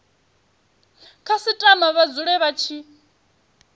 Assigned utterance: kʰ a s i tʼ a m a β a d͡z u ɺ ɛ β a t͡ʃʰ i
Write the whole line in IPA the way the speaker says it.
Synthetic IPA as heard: kʰ a s i tʼ a m a β a d͡z u ɺ ɛ β a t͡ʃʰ i